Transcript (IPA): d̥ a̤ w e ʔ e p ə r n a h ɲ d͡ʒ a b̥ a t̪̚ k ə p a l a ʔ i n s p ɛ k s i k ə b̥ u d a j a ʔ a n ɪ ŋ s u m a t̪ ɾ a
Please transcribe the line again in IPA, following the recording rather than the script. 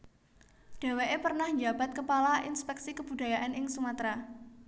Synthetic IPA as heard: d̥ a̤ w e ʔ e p ə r n a h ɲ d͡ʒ a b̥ a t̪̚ k ə p a l a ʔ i n s p ɛ k s i k ə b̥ u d a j a ʔ a n ɪ ŋ s u m a t̪ ɾ a